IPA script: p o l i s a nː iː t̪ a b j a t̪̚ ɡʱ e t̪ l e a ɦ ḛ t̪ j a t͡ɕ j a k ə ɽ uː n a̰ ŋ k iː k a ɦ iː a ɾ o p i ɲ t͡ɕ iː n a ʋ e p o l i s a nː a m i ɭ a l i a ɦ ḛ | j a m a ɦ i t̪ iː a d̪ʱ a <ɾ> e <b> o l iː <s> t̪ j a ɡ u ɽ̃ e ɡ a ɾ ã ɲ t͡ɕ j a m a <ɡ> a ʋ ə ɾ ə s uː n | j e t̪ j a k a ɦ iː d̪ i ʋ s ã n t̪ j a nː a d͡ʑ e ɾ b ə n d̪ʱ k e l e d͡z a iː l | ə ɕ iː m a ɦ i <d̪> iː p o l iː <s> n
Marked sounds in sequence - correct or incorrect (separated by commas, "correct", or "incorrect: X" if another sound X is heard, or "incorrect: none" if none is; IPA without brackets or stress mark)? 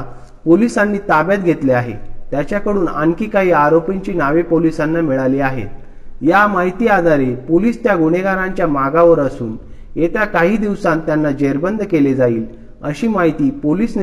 correct, incorrect: p, correct, correct, incorrect: t̪, correct